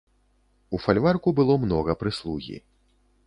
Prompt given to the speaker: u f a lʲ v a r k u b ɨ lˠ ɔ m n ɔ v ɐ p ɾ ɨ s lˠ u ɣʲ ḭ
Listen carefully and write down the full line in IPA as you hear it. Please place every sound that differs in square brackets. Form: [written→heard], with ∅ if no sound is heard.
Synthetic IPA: u f a lʲ v a r k u b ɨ lˠ ɔ m n ɔ [v→ɣ] ɐ p ɾ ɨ s lˠ u ɣʲ ḭ